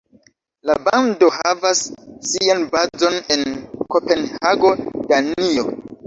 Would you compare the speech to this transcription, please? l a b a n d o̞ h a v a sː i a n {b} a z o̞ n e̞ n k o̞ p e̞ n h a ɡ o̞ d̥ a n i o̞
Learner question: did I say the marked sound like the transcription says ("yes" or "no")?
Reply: yes